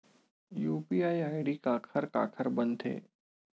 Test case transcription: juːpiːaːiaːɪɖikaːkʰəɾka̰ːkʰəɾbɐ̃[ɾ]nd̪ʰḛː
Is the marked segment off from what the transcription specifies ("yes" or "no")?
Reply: yes